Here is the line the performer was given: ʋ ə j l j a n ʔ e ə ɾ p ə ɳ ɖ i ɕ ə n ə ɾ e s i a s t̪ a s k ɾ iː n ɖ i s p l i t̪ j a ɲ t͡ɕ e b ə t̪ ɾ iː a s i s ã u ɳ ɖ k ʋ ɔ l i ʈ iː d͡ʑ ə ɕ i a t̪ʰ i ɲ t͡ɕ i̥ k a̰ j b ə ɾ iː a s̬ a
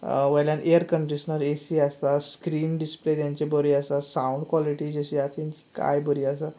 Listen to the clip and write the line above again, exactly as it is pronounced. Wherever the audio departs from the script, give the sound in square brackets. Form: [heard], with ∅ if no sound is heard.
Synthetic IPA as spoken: ʋ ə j l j a n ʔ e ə ɾ [k] ə ɳ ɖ i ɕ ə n ə ɾ e s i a s t̪ a s k ɾ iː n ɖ i s p l [e] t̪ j a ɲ t͡ɕ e b ə [∅] ɾ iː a s [a] s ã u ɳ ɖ k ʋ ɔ l i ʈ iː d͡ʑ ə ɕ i a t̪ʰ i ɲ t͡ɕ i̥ k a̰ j b ə ɾ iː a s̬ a